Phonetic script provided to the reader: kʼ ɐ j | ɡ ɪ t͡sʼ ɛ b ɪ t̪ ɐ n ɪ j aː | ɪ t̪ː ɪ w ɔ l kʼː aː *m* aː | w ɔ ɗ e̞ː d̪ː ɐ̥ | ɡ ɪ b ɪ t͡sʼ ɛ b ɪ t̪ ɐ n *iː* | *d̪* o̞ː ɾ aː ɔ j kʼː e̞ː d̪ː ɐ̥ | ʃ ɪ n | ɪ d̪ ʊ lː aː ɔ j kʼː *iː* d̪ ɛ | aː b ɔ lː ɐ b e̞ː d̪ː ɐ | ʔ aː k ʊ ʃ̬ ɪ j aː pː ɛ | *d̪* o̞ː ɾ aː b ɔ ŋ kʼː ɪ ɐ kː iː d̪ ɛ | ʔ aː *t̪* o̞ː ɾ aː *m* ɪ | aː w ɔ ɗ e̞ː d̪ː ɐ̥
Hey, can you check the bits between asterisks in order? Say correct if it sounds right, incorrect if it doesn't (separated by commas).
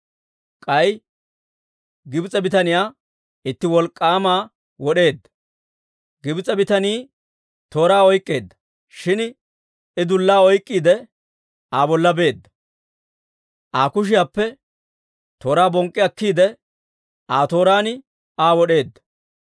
correct, correct, incorrect, correct, incorrect, correct, incorrect